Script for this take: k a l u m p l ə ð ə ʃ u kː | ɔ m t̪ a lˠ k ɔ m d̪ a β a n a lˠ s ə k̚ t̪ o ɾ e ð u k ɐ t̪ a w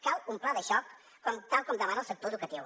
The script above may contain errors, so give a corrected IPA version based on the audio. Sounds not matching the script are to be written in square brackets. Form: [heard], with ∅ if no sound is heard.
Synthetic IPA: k a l u m p l [a] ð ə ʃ [ɔ] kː | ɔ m t̪ a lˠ k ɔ m d̪ a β a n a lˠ s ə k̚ t̪ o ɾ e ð u k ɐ t̪ [i] w